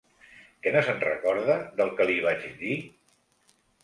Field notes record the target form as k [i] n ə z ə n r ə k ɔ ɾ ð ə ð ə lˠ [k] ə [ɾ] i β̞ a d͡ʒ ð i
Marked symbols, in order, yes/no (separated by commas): no, yes, no